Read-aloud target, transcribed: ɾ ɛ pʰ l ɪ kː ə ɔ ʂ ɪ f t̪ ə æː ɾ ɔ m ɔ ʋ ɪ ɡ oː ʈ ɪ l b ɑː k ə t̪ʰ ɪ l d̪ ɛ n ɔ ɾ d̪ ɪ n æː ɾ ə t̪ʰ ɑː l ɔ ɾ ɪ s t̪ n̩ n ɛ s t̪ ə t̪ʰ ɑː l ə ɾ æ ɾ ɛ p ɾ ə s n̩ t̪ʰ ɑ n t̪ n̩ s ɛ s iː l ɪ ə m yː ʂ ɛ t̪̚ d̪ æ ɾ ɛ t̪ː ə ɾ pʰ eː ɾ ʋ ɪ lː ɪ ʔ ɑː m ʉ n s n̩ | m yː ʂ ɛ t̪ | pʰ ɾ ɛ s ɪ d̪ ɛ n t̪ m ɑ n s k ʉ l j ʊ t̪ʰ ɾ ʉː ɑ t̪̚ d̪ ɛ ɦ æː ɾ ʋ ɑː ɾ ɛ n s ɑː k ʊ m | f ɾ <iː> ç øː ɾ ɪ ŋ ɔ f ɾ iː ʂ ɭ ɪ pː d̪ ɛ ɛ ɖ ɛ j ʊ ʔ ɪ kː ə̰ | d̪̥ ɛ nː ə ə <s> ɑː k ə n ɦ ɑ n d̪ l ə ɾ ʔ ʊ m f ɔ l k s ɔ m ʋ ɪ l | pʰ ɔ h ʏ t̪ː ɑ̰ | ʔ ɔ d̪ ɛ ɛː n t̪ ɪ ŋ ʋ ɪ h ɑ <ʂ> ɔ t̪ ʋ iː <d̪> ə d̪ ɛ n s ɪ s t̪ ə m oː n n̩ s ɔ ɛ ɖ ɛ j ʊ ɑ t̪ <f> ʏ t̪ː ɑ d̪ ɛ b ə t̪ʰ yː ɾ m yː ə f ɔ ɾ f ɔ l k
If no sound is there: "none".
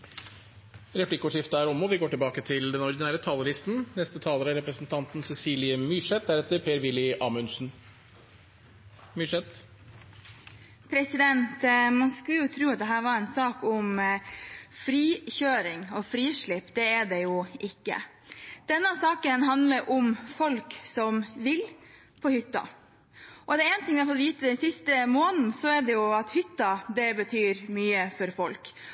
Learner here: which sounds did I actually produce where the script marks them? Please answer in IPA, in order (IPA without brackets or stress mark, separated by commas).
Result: iː, s, f, t̪, h